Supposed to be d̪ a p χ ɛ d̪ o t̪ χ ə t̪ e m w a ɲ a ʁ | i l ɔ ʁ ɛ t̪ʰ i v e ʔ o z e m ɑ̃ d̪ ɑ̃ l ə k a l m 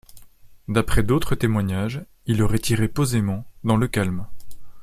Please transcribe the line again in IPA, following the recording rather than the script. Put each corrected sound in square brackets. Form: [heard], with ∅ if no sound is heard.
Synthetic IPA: d̪ a p χ ɛ d̪ o t̪ χ ə t̪ e m w a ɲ a [ʒ] | i l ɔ ʁ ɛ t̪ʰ i [ʁ] e [p] o z e m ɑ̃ d̪ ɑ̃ l ə k a l m